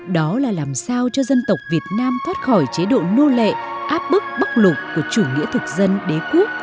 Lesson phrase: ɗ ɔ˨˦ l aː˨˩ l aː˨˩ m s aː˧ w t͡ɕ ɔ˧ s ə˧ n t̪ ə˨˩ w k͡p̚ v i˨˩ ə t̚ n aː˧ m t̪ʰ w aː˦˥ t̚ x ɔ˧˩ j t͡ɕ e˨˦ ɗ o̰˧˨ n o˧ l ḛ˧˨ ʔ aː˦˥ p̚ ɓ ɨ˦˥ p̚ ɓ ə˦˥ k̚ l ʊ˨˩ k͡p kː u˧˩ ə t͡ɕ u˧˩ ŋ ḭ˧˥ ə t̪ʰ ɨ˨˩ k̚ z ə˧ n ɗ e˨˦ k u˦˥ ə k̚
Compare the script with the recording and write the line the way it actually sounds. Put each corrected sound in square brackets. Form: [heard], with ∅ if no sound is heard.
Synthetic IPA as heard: ɗ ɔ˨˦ l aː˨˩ l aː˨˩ m s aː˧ w t͡ɕ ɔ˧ [z] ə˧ n t̪ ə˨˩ w k͡p̚ v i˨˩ ə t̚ n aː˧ m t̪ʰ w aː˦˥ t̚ x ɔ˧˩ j t͡ɕ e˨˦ ɗ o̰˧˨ n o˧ l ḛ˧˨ ʔ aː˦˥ p̚ ɓ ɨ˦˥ [k̚] ɓ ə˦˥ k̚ l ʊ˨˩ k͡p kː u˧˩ ə t͡ɕ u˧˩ ŋ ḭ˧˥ ə t̪ʰ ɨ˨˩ k̚ z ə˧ n ɗ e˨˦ k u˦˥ ə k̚